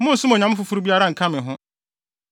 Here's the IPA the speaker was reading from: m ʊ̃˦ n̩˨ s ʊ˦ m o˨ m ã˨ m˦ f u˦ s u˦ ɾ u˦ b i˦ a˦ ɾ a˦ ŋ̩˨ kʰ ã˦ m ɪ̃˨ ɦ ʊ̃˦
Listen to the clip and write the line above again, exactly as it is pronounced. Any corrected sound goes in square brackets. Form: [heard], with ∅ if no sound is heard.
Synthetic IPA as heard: m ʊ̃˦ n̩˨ s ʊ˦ m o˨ [ɲ] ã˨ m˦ f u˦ [f] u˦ ɾ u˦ b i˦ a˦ ɾ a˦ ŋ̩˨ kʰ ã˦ m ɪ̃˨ ɦ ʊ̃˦